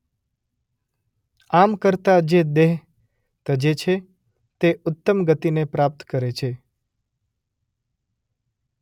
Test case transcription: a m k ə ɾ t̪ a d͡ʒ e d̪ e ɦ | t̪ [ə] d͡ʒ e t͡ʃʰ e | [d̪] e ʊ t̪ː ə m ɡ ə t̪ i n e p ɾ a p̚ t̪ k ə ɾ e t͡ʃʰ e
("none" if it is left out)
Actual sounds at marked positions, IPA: ə, t̪

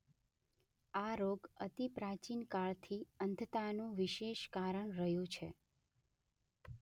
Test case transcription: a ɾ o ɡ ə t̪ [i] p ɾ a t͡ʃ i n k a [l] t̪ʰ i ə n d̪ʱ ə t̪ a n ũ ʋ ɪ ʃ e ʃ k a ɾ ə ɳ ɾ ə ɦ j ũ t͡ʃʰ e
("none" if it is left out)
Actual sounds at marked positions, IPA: i, ɭ

